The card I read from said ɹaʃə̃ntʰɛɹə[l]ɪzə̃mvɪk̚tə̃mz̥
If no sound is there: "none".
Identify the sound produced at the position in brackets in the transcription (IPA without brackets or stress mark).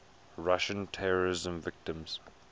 ɹ